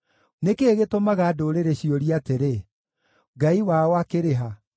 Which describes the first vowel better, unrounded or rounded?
unrounded